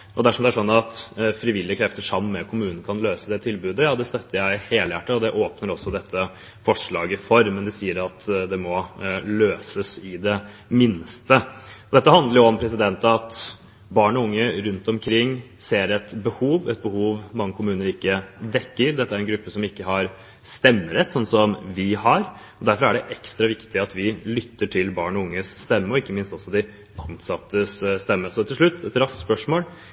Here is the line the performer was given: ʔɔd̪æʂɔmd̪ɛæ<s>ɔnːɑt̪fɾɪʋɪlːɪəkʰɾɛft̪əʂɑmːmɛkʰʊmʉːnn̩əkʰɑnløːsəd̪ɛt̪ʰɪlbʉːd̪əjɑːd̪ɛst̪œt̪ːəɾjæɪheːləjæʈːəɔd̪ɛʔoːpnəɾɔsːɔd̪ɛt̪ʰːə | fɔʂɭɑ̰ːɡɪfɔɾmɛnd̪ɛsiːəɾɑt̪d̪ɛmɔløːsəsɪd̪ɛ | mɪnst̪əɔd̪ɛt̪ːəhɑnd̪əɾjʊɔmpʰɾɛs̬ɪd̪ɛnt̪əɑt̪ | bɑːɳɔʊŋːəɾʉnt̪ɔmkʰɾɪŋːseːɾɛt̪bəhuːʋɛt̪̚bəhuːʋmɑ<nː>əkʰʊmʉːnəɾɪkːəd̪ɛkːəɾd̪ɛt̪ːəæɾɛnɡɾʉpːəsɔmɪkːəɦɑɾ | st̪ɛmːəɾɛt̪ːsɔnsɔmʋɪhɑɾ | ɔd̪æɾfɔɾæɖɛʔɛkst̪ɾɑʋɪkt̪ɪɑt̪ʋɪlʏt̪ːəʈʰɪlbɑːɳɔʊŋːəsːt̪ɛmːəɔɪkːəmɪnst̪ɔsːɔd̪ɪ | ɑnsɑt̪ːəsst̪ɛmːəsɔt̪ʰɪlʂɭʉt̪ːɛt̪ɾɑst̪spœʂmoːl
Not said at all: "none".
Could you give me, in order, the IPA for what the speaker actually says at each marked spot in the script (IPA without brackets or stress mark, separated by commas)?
ʂ, ŋː